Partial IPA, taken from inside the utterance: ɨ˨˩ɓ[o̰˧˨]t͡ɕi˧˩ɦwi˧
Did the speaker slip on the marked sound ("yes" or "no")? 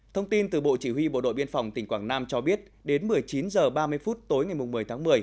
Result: no